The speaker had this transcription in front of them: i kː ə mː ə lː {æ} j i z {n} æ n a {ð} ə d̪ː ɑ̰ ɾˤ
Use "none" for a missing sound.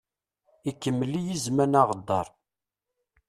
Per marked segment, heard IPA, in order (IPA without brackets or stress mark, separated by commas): i, m, ʁ